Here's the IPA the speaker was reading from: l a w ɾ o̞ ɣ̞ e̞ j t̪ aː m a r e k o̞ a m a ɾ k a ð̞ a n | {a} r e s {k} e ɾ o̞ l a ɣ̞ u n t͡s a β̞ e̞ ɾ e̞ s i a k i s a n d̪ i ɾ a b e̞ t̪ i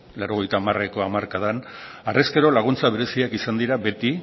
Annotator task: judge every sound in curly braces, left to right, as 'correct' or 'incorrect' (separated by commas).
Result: correct, correct